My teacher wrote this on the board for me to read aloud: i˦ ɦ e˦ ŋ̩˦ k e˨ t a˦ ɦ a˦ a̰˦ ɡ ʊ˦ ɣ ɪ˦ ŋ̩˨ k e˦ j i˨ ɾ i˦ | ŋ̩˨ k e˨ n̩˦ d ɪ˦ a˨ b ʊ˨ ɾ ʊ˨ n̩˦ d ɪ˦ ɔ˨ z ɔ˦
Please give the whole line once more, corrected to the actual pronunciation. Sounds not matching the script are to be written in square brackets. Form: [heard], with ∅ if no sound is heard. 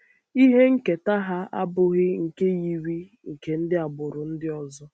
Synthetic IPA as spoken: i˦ ɦ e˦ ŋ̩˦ k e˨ t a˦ ɦ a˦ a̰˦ [b] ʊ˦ ɣ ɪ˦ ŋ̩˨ k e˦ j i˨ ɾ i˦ | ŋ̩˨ k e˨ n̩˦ d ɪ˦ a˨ b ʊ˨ ɾ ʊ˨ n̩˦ d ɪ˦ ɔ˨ z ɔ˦